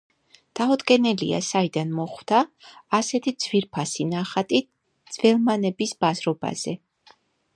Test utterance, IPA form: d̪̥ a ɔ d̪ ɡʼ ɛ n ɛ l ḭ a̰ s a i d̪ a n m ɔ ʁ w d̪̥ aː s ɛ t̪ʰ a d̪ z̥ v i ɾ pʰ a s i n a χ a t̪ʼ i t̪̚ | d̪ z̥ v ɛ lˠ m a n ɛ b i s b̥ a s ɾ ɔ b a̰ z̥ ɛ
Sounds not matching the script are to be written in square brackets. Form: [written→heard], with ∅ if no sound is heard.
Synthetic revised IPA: d̪̥ a ɔ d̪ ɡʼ ɛ n ɛ l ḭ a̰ s a i d̪ a n m ɔ [ʁ→χ] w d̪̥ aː s ɛ t̪ʰ [a→i] d̪ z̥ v i ɾ pʰ a s i n a χ a t̪ʼ i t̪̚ | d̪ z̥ v ɛ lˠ m a n ɛ b i s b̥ a [s→z] ɾ ɔ b a̰ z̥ ɛ